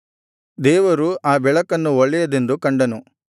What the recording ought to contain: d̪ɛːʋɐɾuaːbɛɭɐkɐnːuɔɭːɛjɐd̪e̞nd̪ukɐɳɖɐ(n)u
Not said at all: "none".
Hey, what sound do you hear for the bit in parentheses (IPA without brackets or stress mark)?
n